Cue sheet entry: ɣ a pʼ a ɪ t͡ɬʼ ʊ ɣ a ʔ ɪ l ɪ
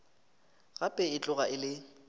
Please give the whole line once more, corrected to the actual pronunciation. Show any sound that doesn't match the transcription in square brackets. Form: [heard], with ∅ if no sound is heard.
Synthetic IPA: ɣ a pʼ [ɛ] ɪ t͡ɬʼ ʊ ɣ a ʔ ɪ l ɪ

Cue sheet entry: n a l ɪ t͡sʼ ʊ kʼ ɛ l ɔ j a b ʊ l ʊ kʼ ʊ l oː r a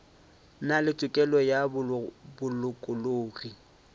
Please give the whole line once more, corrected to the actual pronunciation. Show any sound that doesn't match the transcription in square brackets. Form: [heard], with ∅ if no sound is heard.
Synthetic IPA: n a l ɪ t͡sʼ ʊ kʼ ɛ l ɔ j a b ʊ l ʊ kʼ ʊ l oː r [i]

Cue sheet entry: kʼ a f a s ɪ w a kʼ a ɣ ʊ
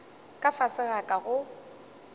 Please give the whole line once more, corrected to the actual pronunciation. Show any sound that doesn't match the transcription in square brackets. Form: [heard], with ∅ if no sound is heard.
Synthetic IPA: kʼ a f a s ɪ [ɣ] a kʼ a ɣ ʊ

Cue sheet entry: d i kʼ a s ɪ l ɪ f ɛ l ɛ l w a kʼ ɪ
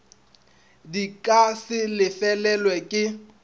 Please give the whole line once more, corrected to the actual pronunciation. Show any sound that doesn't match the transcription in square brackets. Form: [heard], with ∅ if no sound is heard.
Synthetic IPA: d i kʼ a s ɪ l ɪ f ɛ l ɛ l w [ɛ] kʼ ɪ

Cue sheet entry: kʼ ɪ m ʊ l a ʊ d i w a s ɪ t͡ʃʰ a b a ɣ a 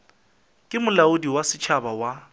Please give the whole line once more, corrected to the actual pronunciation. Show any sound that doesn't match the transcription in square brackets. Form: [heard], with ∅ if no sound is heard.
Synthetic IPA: kʼ ɪ m ʊ l a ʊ d i w a s ɪ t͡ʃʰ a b a [w] a

